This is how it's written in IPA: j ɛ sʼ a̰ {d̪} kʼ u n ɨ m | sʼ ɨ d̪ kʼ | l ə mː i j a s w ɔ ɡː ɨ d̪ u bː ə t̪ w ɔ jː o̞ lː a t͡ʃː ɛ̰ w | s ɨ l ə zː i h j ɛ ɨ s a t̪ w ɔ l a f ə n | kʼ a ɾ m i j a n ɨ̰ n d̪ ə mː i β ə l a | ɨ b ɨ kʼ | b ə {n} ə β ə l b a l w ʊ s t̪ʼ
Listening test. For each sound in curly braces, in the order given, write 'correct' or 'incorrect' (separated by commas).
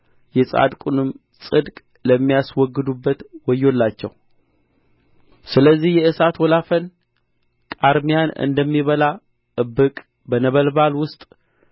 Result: correct, correct